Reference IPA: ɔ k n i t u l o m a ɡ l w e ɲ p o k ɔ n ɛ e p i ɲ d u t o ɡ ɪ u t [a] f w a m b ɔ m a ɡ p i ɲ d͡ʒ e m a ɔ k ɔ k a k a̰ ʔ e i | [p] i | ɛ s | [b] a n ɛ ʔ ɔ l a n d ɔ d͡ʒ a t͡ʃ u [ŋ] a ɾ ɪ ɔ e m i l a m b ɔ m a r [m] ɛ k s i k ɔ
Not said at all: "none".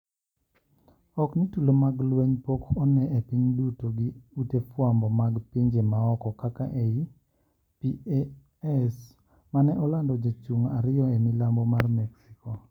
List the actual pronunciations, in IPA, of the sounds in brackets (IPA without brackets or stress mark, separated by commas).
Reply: e, p, m, ŋ, m